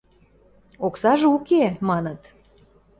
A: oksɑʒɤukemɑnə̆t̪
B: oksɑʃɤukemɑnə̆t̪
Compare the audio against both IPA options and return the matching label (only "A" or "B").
A